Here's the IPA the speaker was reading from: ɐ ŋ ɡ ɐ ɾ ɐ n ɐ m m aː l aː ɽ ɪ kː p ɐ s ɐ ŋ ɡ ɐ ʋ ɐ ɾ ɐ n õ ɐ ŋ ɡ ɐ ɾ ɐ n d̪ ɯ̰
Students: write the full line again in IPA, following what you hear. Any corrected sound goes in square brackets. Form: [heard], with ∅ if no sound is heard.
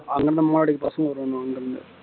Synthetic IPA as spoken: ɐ ŋ ɡ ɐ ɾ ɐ n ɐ m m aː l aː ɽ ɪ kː p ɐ s ɐ ŋ ɡ ɐ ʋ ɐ ɾ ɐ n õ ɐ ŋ ɡ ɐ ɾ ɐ n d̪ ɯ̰

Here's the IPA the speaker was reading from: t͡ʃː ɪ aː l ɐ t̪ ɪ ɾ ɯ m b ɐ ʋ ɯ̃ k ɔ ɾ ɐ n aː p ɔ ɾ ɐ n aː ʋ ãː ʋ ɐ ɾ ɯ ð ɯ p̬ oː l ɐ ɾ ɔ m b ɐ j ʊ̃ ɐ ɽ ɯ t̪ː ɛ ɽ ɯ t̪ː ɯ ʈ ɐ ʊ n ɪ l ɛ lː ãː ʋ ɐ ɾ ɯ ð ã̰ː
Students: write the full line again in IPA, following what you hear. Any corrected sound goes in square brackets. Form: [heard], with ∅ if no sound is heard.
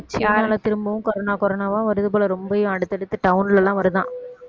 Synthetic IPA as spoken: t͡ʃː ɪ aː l ɐ t̪ ɪ ɾ ɯ m b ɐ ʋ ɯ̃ k ɔ ɾ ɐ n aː [k] ɔ ɾ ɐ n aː ʋ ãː ʋ ɐ ɾ ɯ ð ɯ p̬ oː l ɐ ɾ ɔ m b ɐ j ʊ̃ ɐ ɽ ɯ t̪ː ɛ ɽ ɯ t̪ː ɯ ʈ ɐ ʊ n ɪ l ɛ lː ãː ʋ ɐ ɾ ɯ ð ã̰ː

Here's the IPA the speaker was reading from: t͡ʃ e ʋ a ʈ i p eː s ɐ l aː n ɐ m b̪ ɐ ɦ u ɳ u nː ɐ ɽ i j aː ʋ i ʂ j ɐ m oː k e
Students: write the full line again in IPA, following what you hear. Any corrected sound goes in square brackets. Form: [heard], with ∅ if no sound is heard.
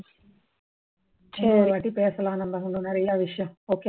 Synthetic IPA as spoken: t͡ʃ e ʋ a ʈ i p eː s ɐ l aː n ɐ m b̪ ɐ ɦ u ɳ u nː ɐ [ɾ] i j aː ʋ i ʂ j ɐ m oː k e

